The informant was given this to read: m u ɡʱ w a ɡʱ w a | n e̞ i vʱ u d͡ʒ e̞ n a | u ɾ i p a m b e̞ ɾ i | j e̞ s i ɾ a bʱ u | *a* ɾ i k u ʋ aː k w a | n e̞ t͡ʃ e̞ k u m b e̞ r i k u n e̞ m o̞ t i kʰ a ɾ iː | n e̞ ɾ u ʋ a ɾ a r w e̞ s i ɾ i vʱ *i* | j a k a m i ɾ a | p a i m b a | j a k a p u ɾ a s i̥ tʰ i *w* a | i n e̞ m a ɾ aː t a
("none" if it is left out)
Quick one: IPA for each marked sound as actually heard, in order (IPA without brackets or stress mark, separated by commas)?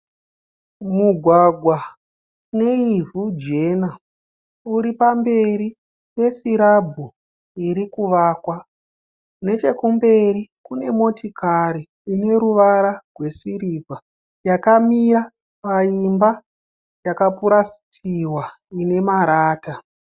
i, a, w